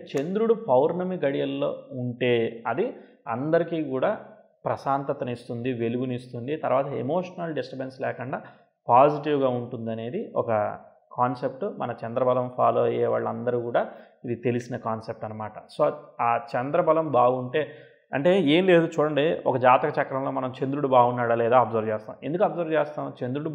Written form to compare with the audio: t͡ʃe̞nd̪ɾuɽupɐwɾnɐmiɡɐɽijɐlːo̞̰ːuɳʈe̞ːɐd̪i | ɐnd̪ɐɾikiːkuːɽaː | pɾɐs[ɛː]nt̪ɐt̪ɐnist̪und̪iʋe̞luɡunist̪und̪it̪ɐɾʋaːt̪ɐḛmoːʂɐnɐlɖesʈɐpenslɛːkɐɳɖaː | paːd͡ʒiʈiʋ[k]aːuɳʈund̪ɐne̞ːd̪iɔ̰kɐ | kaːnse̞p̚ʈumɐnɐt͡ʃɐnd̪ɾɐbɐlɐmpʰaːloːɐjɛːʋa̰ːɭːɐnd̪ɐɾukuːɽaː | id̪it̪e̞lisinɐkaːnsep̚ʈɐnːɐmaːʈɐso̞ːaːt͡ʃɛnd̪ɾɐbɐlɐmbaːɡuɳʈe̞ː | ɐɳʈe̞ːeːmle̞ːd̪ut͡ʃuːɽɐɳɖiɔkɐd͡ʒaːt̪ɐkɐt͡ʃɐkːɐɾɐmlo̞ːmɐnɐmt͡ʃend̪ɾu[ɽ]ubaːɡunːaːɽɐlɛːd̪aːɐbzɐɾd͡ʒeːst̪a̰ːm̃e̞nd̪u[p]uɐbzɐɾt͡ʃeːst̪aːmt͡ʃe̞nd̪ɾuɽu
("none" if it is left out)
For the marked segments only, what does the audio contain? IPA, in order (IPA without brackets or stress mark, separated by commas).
aː, ɡ, ɽ, k